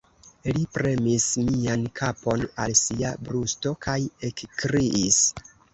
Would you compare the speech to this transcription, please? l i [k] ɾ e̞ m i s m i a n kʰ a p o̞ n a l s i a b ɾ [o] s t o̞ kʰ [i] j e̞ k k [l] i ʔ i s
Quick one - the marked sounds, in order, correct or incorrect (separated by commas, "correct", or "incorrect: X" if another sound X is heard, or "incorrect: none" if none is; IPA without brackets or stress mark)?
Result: incorrect: p, incorrect: u, incorrect: a, incorrect: ɾ